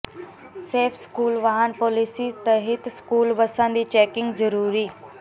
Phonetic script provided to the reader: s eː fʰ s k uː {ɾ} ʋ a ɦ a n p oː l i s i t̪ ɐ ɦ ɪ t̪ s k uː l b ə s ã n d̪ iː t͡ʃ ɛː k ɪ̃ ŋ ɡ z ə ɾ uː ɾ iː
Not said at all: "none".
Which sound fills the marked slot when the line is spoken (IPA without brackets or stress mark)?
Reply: l